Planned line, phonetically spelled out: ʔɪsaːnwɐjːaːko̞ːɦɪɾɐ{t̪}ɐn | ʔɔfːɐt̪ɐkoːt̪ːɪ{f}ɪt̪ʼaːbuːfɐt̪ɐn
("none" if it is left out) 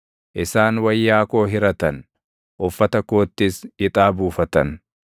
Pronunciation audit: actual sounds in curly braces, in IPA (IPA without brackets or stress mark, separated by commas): t̪, s